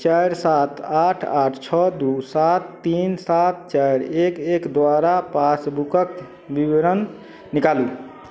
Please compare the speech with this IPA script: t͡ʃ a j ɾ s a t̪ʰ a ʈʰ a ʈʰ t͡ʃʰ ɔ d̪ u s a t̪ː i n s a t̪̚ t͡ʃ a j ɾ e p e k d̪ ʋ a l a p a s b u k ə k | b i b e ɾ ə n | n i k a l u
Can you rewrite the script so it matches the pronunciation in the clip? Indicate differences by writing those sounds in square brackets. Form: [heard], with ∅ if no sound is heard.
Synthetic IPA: t͡ʃ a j ɾ s a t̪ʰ a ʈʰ a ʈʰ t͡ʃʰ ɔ d̪ u s a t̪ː i n s a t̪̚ t͡ʃ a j ɾ e [k] e k d̪ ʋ a [ɾ] a p a s b u k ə k | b i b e ɾ ə n | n i k a l u